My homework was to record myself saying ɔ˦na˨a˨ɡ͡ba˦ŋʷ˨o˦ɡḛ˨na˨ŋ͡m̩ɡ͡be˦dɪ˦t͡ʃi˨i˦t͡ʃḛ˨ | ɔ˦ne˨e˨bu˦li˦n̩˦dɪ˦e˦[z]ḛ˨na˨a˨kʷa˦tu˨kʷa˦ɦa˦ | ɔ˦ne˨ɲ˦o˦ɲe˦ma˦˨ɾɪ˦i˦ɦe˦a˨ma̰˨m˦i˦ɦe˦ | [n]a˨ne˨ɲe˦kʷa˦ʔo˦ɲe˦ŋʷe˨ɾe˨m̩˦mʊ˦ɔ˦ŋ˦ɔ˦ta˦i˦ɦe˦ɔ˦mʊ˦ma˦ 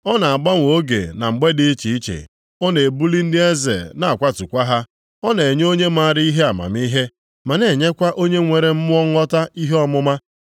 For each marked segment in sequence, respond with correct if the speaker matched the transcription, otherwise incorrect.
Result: correct, incorrect

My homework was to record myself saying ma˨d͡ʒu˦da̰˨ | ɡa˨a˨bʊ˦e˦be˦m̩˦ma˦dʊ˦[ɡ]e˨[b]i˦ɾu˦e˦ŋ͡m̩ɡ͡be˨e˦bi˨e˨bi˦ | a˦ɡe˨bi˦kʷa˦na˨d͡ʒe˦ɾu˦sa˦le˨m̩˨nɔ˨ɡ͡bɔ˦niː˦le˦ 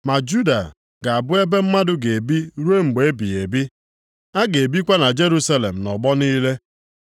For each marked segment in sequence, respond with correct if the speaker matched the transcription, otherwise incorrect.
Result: correct, correct

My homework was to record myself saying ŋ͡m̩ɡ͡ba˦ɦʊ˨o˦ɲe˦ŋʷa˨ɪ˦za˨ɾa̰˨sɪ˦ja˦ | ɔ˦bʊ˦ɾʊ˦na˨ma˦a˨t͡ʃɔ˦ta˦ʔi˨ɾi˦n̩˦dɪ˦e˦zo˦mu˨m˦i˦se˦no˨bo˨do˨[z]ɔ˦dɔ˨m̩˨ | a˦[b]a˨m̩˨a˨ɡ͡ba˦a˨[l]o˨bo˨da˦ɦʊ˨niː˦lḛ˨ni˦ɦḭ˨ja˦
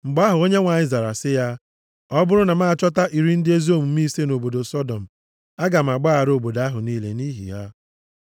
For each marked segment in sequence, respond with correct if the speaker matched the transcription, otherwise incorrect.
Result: incorrect, incorrect, incorrect

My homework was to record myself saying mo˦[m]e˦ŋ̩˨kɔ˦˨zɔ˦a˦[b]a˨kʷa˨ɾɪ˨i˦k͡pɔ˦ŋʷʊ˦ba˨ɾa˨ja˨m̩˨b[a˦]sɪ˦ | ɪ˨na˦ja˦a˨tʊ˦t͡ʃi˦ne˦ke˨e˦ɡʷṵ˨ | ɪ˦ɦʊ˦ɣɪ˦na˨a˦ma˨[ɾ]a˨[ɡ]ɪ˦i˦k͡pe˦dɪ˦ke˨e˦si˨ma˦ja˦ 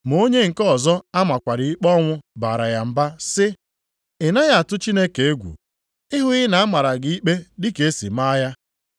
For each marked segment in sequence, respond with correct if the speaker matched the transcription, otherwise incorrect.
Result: incorrect, incorrect, correct, correct, correct

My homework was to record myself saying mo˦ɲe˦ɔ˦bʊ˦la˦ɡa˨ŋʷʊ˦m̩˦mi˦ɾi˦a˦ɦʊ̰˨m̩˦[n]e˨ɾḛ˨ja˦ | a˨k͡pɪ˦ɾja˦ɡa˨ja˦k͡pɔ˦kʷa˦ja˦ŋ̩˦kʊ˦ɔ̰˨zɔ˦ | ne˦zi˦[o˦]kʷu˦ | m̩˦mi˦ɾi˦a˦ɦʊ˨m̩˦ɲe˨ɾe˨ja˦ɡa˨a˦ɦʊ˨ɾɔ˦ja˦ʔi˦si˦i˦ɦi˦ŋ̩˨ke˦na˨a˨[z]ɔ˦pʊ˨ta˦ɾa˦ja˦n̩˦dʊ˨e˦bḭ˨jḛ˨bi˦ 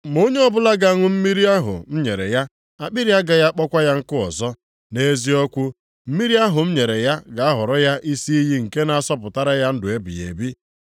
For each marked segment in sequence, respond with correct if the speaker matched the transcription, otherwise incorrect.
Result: incorrect, incorrect, incorrect

